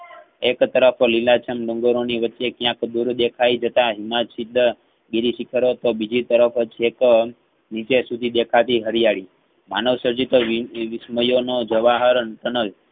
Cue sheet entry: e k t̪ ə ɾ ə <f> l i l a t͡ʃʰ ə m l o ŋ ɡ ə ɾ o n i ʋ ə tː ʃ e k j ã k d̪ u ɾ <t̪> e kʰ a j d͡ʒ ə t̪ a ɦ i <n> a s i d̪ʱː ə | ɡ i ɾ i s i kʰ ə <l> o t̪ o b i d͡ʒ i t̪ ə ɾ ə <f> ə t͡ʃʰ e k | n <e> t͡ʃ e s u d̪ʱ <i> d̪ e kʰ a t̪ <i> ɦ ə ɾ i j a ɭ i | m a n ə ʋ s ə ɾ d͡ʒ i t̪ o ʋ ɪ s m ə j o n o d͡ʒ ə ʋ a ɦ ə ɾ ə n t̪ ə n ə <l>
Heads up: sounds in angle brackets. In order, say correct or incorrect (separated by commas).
correct, incorrect, incorrect, incorrect, correct, incorrect, correct, correct, correct